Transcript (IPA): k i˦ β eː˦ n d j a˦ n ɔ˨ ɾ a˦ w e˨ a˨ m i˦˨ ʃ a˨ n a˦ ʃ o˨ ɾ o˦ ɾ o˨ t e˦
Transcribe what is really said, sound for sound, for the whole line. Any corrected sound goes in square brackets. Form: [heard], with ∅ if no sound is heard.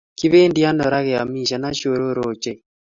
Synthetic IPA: k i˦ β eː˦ n d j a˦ n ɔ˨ ɾ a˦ [ɣ] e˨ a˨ m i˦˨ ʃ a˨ n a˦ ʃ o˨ ɾ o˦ ɾ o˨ [t͡ʃ] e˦